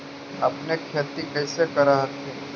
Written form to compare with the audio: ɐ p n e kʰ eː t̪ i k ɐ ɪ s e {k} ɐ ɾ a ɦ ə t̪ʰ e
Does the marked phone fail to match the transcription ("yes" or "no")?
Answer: no